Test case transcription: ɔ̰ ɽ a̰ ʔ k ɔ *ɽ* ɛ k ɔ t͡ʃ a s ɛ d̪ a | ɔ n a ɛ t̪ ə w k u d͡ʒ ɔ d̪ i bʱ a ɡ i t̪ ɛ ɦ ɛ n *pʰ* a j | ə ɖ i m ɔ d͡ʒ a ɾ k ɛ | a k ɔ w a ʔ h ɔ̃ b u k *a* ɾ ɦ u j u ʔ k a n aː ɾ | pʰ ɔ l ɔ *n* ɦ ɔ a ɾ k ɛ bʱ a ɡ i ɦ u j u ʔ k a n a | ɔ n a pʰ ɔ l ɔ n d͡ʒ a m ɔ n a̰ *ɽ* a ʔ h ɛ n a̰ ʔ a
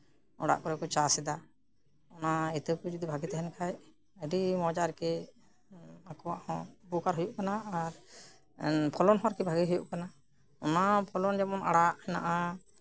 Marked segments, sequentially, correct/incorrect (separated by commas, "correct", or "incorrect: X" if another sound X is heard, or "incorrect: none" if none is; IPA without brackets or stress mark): incorrect: ɾ, incorrect: kʰ, correct, correct, correct